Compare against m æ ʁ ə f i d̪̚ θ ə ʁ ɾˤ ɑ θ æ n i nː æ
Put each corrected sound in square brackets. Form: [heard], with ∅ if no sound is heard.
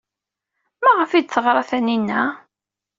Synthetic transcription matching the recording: m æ ʁ ə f i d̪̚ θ ə ʁ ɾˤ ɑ θ æ n i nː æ